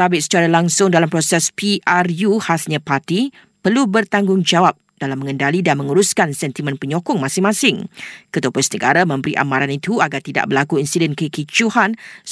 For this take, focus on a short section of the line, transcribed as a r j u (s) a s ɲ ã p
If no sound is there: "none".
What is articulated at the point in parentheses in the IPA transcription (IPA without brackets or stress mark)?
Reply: h